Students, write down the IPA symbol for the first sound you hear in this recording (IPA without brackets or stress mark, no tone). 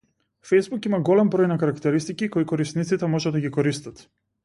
f